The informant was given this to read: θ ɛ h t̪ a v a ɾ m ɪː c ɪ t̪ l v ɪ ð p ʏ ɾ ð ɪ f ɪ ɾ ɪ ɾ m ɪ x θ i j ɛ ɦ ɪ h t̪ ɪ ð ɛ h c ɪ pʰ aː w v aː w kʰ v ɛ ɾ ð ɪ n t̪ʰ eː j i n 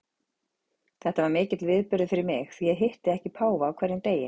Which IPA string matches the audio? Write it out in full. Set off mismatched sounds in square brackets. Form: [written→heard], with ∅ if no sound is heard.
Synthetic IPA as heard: θ ɛ h t̪ a v a ɾ m ɪː c ɪ t̪ l v ɪ ð p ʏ ɾ ð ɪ f ɪ ɾ ɪ ɾ m ɪ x θ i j ɛ ɦ ɪ h t̪ ɪ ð ɛ h c ɪ pʰ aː w v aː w kʰ v ɛ ɾ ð ɪ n [t̪ʰ→t̪] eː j [i→ɪ] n